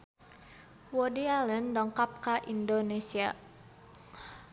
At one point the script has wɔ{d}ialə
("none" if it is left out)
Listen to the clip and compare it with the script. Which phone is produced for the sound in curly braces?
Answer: d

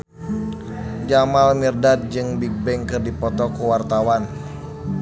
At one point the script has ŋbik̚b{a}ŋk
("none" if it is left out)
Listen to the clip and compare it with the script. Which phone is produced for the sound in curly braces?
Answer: ɛ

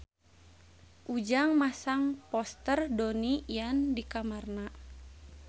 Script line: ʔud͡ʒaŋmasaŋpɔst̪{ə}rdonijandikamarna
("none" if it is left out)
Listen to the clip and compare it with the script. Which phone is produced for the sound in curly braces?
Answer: ə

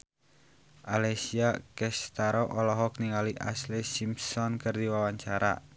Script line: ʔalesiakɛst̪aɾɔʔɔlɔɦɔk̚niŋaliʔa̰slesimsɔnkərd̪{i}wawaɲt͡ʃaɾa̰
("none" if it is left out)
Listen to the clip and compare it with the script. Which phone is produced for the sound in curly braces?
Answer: i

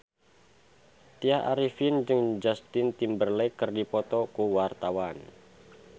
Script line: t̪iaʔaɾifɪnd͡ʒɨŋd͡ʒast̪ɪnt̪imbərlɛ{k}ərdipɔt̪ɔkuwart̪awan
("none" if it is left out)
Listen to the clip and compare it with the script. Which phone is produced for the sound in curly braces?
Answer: k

